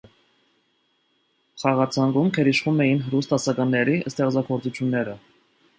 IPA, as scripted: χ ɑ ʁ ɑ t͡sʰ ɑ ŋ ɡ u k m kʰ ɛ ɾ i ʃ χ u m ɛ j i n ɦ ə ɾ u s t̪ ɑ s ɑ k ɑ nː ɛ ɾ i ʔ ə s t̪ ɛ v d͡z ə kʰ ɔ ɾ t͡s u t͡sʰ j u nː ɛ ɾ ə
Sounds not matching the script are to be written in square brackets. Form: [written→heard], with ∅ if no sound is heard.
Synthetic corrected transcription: χ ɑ ʁ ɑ t͡sʰ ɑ ŋ ɡ u [k→∅] m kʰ ɛ ɾ i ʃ χ u m ɛ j i n ɦ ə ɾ u s t̪ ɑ s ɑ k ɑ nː ɛ ɾ i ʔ ə s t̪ ɛ [v→ʁ] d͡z [ə→ɑ] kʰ ɔ ɾ t͡s u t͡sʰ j u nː ɛ ɾ ə